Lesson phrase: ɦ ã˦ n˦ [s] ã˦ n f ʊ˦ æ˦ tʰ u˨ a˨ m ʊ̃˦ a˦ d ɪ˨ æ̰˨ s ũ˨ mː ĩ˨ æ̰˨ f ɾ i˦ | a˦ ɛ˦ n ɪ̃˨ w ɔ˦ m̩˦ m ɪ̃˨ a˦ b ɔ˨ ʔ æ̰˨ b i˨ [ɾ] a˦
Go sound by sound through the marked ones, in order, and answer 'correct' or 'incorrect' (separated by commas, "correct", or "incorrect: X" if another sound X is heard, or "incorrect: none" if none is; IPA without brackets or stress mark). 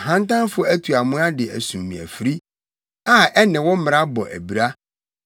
incorrect: t, correct